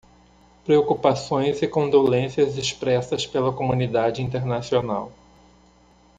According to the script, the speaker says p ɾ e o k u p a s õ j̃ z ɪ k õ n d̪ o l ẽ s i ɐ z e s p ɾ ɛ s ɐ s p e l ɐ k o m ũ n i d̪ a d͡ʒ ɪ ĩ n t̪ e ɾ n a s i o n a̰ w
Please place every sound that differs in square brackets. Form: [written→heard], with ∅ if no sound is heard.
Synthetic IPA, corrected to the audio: p ɾ e o k u p a s õ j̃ z ɪ k õ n d̪ o l ẽ s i ɐ z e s p ɾ ɛ s ɐ s p e l ɐ k o m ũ n i d̪ a d͡ʒ ɪ ĩ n t̪ e ɾ n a s i o n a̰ w